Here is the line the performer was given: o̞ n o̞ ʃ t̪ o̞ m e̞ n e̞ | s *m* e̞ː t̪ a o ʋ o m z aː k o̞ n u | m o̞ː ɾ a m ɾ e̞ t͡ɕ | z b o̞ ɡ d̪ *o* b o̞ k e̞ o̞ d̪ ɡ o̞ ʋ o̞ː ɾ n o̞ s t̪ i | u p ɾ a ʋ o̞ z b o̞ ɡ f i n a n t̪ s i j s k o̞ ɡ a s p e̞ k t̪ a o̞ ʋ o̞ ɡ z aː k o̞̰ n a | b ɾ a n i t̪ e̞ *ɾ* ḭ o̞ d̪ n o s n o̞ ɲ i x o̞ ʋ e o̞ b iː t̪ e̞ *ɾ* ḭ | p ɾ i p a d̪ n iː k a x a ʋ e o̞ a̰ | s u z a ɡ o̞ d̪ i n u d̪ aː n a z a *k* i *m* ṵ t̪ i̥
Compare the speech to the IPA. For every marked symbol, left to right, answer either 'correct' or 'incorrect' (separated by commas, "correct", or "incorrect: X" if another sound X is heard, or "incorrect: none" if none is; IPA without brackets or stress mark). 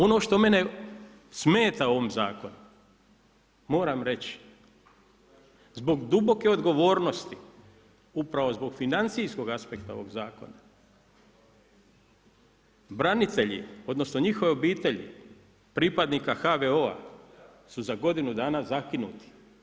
correct, incorrect: u, incorrect: ʎ, incorrect: ʎ, correct, incorrect: n